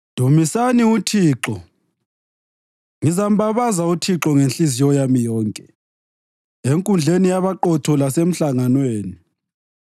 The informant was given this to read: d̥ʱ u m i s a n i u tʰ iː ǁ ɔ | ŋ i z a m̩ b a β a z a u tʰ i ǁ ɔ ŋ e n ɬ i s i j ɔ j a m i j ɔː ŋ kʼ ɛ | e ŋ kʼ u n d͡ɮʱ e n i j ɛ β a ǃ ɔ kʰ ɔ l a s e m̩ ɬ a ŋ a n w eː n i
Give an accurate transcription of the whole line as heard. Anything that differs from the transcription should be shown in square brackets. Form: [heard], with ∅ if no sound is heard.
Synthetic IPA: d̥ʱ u m i s a n i u tʰ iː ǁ ɔ | ŋ i z a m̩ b a β a z a u tʰ i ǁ ɔ ŋ e n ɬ i [z] i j ɔ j a m i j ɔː ŋ kʼ ɛ | e ŋ kʼ u n d͡ɮʱ e n i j [a] β a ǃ ɔ [tʰ] ɔ l a s e m̩ ɬ a ŋ a n w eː n i